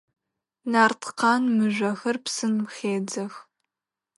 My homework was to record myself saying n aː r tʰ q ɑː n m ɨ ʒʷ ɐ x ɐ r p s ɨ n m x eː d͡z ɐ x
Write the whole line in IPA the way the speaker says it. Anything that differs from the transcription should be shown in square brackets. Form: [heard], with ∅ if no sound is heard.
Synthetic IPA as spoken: n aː r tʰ q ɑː n m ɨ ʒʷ ɐ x ɐ r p s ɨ n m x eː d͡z ɐ x